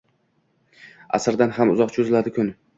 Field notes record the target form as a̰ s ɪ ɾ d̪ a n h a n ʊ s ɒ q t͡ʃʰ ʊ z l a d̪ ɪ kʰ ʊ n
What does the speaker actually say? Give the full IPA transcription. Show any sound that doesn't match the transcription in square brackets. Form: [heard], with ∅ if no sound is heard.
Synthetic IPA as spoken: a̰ s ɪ ɾ d̪ a n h a [m] ʊ [z] ɒ q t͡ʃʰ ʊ z l a d̪ ɪ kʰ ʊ n